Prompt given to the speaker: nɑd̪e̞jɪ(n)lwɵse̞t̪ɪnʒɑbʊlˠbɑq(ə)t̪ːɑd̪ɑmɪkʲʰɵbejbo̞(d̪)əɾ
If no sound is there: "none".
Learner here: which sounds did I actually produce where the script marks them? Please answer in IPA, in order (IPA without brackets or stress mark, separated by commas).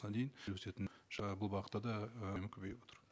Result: n, ə, t̪